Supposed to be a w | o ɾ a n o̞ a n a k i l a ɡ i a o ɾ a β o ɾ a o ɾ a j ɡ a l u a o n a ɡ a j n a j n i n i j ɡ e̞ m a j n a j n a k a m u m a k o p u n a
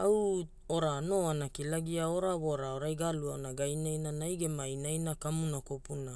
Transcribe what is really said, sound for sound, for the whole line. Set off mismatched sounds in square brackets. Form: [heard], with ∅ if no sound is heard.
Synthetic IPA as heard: a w | o ɾ a n o̞ a n a k i l a ɡ i a o ɾ a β o ɾ a o ɾ a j ɡ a l u a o n a ɡ a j n a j n [a] n [a] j ɡ e̞ m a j n a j n a k a m u [n] a k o p u n a